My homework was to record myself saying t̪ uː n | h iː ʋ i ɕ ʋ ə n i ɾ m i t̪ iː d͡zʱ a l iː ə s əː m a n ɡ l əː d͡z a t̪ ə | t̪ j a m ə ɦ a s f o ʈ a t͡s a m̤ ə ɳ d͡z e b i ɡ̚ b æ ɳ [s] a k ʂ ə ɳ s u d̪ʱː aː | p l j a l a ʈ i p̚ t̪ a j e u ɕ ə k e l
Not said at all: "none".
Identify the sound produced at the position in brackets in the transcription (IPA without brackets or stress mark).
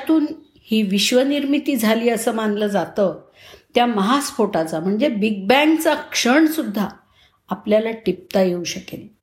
t͡s